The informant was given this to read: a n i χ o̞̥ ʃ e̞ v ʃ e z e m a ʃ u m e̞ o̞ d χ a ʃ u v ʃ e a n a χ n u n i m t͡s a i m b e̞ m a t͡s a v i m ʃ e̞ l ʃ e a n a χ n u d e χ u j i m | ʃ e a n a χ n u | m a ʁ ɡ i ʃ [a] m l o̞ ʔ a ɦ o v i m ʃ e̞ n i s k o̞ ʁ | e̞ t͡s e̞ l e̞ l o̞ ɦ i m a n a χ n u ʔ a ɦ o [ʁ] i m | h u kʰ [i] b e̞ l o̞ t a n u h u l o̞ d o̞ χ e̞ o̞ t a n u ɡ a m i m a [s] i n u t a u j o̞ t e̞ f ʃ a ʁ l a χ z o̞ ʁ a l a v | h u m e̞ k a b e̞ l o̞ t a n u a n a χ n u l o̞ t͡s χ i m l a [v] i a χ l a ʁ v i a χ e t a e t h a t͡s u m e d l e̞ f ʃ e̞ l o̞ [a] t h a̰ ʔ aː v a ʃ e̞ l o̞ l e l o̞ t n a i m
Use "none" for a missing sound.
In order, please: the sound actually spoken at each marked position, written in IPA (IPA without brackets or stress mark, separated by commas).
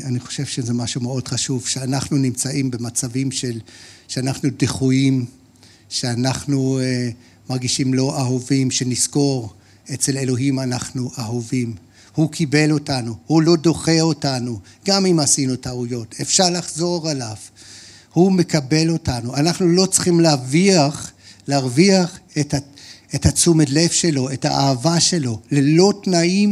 i, v, i, s, v, e